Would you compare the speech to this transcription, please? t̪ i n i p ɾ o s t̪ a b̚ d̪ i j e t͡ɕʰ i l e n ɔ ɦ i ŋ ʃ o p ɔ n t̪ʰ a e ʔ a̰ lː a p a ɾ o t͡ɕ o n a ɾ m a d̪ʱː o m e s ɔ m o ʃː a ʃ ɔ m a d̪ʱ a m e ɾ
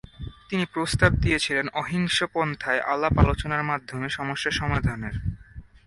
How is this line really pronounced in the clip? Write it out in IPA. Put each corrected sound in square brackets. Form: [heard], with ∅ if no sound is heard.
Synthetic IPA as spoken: t̪ i n i p ɾ o s t̪ a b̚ d̪ i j e t͡ɕʰ i l e n ɔ ɦ i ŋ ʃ o p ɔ n t̪ʰ a e ʔ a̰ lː a p a [l] o t͡ɕ o n a ɾ m a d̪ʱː o m e [ʃ] ɔ m o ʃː a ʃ ɔ m a d̪ʱ a [n] e ɾ